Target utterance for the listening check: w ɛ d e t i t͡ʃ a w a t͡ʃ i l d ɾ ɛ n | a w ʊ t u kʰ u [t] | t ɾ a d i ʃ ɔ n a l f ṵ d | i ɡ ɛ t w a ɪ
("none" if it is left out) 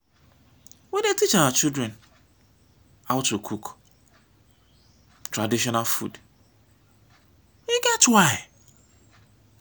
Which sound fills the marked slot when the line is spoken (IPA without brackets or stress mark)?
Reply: k